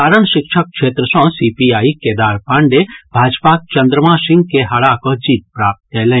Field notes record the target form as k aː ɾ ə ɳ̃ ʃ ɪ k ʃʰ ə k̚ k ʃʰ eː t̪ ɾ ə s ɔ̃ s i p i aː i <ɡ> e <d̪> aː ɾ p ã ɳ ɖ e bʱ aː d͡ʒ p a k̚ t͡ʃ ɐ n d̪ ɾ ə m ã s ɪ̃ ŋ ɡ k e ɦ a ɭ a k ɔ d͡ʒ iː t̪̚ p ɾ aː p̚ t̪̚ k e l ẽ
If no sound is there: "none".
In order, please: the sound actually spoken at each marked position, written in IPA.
k, d̪

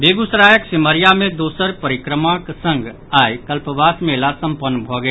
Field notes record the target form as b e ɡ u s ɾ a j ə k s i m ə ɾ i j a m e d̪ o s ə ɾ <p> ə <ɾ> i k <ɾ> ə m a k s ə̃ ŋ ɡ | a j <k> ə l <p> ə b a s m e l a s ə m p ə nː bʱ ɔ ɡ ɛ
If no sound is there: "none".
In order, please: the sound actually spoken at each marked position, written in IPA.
p, ɾ, ɾ, k, p

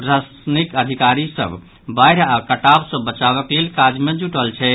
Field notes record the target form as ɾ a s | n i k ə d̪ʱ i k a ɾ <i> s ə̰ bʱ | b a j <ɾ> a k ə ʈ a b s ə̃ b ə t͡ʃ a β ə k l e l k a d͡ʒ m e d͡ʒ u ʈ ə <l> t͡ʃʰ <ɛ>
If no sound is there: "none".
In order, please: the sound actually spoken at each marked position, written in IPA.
i, ɾ, l, ɛ

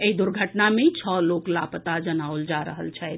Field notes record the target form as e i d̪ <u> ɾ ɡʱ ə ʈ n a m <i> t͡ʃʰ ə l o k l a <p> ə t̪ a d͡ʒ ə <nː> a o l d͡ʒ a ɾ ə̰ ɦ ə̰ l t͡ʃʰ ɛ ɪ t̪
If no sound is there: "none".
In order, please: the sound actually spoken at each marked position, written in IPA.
u, e, p, n

